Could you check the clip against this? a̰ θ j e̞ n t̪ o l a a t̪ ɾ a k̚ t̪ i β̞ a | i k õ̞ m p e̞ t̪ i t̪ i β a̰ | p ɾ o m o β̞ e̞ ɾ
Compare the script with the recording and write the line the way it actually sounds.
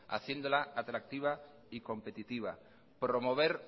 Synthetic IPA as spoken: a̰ θ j e̞ n d̪ o l a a t̪ ɾ a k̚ t̪ i β̞ a | i k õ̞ m p e̞ t̪ i t̪ i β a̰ | p ɾ o m o β̞ e̞ ɾ